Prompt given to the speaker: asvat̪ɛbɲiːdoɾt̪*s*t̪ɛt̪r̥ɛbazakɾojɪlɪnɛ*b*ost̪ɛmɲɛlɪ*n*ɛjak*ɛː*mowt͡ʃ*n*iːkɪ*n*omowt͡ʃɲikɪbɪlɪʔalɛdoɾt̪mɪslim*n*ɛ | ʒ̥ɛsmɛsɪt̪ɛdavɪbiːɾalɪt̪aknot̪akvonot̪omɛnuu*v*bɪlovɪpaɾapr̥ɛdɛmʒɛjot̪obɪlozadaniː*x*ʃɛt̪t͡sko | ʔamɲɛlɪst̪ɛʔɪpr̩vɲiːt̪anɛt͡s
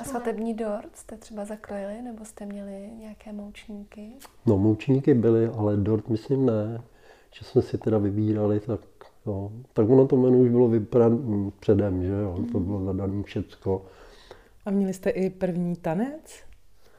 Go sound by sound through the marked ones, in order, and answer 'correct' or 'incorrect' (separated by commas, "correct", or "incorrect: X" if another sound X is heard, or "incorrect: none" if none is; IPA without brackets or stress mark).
correct, correct, incorrect: ɲ, correct, incorrect: ɲ, correct, correct, incorrect: ʒ, incorrect: f